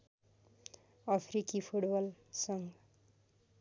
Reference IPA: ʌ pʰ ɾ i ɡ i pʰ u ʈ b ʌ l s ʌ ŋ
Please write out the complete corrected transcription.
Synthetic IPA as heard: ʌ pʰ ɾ i k i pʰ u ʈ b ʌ l s ʌ ŋ